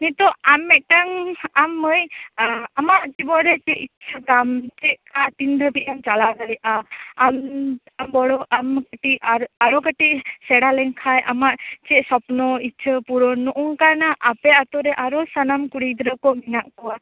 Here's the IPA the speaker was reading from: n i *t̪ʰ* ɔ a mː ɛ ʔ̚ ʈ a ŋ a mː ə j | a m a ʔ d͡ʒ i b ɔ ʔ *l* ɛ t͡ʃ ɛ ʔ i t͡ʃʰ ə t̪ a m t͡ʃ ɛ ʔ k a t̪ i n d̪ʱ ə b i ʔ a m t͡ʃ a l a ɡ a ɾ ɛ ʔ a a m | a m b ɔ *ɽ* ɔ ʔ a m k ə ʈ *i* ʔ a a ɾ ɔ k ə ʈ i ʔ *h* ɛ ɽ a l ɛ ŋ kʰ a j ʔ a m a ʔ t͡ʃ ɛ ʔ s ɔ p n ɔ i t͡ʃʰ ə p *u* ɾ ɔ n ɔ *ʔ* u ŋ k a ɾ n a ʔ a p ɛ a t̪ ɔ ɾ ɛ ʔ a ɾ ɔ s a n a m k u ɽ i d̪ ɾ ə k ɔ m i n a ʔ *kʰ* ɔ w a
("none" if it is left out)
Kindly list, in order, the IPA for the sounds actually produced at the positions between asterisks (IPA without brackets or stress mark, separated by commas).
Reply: t̪, ɾ, ɽ, i, s, u, ʔ, k